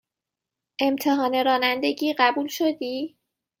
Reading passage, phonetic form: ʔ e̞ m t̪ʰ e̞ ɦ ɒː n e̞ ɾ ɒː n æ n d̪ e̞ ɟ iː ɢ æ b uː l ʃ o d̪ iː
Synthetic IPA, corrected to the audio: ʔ e̞ m t̪ʰ e̞ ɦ ɒː n e̞ ɾ ɒː n æ n d̪ e̞ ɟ iː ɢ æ b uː l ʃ o d̪ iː

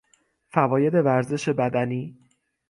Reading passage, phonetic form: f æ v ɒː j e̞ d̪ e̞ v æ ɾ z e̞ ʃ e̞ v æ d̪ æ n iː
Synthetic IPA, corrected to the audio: f æ v ɒː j e̞ d̪ e̞ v æ ɾ z e̞ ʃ e̞ b æ d̪ æ n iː

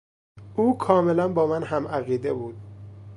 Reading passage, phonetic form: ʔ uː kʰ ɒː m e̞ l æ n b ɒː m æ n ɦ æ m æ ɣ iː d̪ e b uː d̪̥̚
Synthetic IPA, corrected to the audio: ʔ uː kʰ ɒː m e̞ l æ n b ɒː m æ n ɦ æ m æ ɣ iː d̪ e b uː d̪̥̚

